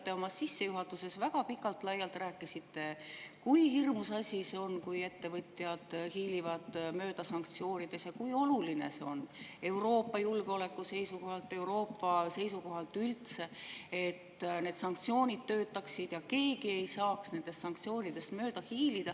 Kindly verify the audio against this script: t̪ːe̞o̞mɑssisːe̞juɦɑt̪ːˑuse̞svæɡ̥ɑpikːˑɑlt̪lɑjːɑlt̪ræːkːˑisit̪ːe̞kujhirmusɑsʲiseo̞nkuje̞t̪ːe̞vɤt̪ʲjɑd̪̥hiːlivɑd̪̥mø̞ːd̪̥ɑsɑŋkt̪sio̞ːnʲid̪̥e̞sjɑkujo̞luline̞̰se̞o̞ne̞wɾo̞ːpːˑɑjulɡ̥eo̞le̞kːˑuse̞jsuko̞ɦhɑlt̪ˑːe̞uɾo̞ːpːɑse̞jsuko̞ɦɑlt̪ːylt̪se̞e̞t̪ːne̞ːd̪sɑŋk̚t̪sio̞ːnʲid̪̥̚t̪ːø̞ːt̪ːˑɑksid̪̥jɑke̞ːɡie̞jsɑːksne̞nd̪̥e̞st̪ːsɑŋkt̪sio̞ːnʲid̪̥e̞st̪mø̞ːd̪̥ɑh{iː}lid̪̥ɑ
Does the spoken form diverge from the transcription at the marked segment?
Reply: no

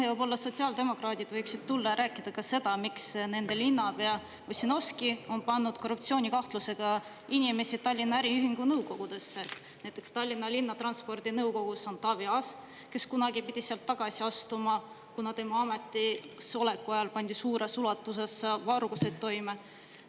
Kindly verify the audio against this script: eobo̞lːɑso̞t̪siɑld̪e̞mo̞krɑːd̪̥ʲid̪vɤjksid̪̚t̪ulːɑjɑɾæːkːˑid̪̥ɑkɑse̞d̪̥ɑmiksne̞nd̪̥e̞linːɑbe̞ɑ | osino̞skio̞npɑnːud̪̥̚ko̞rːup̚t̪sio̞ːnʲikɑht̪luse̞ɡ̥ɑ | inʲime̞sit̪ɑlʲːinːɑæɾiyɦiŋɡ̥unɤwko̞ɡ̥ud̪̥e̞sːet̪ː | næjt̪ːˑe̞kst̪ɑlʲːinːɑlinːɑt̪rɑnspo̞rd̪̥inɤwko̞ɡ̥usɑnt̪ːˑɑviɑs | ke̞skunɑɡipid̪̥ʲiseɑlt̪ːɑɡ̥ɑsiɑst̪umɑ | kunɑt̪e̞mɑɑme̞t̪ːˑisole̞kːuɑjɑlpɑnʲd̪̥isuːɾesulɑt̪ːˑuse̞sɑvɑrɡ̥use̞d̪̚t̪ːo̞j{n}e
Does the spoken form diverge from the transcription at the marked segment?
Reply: yes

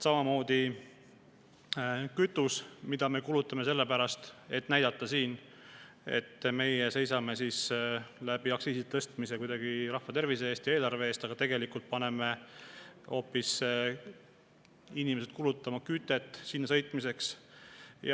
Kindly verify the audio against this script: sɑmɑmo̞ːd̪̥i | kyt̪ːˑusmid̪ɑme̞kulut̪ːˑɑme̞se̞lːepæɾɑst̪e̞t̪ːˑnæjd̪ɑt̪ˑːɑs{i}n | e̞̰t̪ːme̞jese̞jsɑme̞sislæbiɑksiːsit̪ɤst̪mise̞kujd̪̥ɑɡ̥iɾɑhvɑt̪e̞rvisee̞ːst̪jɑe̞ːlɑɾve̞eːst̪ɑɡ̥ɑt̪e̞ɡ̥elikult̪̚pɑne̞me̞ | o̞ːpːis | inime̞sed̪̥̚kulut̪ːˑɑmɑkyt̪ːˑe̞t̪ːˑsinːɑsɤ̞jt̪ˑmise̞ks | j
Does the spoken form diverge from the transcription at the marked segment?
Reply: yes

